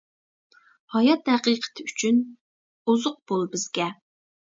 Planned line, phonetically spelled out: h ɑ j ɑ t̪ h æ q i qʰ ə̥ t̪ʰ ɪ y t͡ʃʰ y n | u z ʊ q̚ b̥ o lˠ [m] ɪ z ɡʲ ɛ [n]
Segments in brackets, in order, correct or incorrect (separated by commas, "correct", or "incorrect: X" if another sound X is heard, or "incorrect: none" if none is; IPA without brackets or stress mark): incorrect: b, incorrect: none